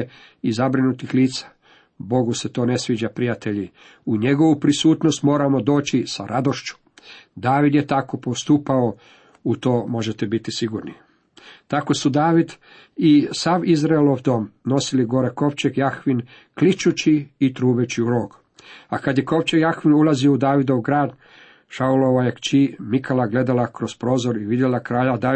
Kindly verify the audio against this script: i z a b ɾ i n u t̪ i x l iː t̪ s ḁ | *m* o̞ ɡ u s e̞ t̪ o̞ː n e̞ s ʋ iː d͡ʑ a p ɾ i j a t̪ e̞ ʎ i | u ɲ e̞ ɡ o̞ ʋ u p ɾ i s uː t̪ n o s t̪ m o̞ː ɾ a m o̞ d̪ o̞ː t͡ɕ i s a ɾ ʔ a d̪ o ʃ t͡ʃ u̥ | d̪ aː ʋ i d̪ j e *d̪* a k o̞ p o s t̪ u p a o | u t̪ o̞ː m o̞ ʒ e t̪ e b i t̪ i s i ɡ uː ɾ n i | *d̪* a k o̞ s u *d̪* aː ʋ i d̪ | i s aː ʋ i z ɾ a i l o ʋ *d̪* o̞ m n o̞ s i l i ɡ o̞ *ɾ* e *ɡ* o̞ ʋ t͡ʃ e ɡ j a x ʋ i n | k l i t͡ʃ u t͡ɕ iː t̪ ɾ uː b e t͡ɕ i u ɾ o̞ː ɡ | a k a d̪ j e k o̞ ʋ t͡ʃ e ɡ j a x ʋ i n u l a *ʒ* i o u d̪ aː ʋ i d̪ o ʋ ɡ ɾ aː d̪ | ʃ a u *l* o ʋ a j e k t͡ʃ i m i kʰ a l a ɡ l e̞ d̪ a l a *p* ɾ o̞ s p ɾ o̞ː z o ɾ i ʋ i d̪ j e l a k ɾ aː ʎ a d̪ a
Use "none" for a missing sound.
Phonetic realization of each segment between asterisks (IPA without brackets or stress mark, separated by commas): b, t̪, t̪, d̪, d̪, ɾ, k, z, l, k